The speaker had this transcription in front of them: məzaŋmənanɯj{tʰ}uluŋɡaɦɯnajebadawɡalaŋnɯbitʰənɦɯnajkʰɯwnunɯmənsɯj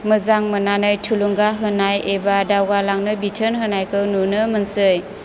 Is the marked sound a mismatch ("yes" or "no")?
no